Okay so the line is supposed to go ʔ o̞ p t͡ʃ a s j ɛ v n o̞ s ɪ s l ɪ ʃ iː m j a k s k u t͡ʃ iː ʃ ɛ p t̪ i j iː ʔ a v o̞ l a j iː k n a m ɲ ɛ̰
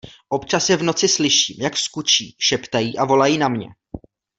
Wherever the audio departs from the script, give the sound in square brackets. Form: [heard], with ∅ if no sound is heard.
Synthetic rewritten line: ʔ o̞ p t͡ʃ a s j ɛ v n o̞ [t͡s] ɪ s l ɪ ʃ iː m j a k s k u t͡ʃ iː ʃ ɛ p t̪ [a] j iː ʔ a v o̞ l a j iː [∅] n a m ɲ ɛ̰